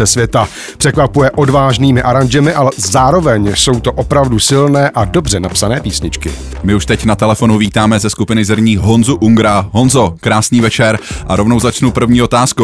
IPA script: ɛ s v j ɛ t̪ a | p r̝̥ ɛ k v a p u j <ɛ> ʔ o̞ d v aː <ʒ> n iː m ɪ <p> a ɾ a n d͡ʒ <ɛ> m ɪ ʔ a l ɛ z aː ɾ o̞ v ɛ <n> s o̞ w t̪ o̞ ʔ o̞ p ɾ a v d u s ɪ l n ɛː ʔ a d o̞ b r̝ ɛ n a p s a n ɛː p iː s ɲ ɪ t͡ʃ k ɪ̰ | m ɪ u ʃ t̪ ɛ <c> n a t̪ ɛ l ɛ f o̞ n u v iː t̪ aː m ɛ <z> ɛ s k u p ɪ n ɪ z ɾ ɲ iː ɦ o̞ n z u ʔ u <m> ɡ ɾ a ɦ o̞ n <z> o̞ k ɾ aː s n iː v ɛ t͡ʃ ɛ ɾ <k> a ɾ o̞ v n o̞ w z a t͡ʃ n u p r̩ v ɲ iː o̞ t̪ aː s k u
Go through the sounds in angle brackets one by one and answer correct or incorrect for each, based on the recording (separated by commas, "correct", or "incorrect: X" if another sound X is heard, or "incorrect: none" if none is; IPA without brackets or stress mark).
correct, correct, incorrect: ʔ, correct, incorrect: ɲ, correct, correct, incorrect: ŋ, correct, incorrect: ʔ